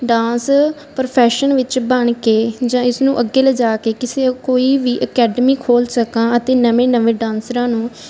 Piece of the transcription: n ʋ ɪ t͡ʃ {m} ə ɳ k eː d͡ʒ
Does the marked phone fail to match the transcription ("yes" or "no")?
yes